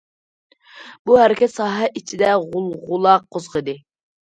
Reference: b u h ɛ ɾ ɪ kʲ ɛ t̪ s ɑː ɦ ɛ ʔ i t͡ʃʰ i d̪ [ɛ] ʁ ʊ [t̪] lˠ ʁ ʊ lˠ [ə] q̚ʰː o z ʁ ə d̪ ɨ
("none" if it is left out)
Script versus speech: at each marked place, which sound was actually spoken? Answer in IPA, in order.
ɛ, none, ɑ

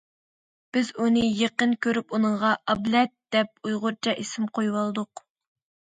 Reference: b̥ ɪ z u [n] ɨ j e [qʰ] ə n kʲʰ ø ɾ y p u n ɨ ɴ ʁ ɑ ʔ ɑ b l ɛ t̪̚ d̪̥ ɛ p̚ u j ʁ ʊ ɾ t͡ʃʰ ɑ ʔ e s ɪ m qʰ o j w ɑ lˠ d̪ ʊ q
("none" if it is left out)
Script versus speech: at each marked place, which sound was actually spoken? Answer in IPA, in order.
n, q

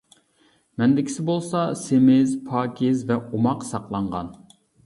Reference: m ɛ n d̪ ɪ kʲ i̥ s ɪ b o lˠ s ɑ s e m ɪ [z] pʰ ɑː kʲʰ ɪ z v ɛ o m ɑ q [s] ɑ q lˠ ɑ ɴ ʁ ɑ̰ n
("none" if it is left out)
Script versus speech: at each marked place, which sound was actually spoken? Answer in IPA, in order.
z, s

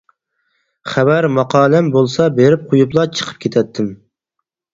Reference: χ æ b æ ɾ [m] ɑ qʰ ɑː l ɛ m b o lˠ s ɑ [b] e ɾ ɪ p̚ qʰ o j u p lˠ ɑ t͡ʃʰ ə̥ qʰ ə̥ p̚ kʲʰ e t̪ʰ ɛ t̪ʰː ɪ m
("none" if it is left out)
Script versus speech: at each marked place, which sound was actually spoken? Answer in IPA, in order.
m, b

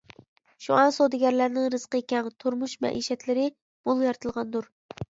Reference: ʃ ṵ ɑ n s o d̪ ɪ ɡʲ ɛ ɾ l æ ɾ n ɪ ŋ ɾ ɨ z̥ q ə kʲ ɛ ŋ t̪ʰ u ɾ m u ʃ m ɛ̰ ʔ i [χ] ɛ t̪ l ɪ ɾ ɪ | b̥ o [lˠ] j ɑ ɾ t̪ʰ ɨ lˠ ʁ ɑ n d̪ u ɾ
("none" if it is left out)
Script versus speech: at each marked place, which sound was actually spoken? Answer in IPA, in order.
ʃ, lˠ

